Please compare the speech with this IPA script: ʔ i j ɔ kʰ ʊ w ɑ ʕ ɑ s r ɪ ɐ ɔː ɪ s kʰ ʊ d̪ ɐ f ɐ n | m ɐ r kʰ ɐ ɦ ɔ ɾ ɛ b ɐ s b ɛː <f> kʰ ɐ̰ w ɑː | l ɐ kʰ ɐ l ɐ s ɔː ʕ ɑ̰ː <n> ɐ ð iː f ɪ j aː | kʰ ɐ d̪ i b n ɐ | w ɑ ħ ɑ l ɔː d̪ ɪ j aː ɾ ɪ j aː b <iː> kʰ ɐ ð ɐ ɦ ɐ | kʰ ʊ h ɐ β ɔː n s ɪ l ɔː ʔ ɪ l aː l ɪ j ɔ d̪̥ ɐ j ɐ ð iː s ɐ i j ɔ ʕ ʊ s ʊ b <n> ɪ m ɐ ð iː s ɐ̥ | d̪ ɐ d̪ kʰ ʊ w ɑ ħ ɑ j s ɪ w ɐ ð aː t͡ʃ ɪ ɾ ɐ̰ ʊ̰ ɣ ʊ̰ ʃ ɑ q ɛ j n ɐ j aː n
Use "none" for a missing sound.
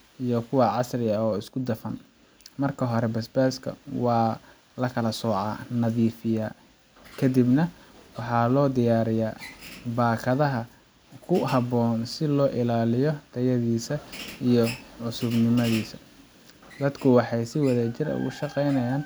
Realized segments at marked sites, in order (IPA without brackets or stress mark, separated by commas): s, n, aː, n